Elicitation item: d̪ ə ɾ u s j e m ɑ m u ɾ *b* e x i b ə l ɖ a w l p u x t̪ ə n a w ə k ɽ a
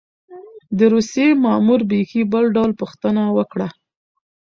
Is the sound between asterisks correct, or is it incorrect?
correct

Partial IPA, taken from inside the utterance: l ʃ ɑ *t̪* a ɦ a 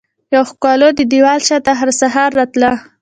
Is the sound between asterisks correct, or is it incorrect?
correct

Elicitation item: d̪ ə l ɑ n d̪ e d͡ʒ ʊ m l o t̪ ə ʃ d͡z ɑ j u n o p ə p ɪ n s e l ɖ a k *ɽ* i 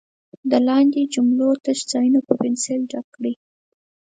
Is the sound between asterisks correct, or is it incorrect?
correct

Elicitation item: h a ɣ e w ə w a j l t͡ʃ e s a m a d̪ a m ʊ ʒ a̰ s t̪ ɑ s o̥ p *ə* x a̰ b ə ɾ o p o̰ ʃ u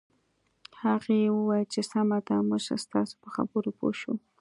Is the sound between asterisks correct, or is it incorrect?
correct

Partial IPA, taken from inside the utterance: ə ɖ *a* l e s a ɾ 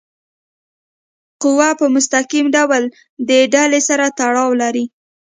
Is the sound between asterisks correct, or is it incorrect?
correct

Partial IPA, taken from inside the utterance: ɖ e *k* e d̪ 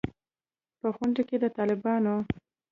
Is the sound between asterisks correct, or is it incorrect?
correct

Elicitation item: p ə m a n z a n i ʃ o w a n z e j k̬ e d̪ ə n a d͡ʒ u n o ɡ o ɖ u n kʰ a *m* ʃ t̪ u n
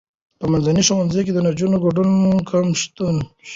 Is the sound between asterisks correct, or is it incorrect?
correct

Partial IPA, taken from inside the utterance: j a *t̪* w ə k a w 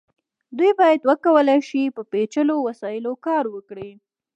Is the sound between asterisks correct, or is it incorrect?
incorrect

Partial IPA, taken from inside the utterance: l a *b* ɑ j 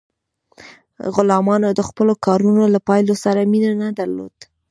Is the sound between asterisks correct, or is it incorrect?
incorrect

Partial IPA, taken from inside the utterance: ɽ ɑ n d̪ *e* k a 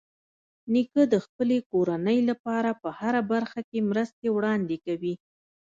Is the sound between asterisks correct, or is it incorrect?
correct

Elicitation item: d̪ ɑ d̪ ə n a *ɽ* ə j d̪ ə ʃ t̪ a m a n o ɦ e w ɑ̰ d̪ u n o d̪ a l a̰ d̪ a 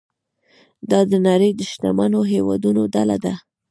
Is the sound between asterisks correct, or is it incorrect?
incorrect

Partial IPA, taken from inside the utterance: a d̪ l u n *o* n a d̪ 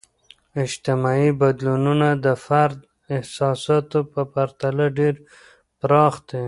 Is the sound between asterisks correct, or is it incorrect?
incorrect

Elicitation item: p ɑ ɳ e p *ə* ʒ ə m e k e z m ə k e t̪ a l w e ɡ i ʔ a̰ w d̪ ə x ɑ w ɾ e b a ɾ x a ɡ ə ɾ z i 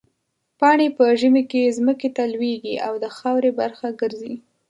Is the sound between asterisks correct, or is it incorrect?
correct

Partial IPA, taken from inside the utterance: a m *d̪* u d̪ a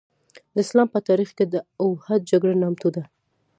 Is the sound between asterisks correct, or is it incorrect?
incorrect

